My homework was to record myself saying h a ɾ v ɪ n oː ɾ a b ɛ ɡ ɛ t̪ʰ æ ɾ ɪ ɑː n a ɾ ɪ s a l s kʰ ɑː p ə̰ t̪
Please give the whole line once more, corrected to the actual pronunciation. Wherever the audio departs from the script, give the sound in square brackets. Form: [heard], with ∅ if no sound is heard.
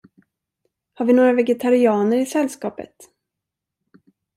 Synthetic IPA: h a ɾ v ɪ n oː ɾ a [v] ɛ ɡ ɛ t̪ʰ [a] ɾ ɪ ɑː n [ə] ɾ ɪ s [ɛ] l s [k] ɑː p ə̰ t̪